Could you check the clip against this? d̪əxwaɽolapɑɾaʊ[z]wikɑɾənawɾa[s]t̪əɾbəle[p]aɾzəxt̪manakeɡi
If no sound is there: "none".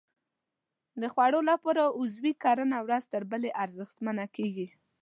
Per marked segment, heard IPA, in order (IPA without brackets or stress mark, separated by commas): z, z, ʔ